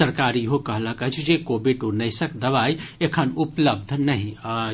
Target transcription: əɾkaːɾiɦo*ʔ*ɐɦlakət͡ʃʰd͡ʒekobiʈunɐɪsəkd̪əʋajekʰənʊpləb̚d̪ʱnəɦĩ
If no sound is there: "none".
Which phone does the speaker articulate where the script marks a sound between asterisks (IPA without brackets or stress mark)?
k